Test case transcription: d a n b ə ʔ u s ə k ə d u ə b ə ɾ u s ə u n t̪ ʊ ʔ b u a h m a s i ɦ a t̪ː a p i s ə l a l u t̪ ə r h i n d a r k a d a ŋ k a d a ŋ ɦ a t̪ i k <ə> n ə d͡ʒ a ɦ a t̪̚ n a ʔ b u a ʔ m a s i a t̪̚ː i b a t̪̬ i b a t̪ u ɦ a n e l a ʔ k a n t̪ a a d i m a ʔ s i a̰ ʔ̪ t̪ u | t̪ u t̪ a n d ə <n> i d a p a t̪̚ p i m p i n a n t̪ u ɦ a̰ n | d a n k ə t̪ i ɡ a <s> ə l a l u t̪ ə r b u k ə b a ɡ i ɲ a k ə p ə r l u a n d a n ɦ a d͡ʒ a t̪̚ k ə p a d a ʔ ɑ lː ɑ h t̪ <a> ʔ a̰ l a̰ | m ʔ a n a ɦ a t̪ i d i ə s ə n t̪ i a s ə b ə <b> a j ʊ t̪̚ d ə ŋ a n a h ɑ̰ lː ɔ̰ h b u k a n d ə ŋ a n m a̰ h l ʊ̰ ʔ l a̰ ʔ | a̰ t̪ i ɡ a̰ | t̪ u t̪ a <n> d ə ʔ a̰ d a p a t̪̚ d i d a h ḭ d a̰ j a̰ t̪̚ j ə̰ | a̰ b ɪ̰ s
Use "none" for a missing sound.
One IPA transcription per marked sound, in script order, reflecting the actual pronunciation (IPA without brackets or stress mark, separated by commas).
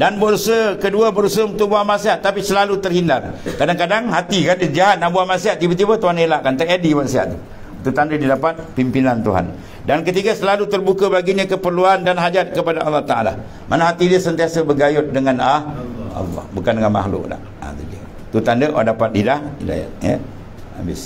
a, d, s, a, ɡ, n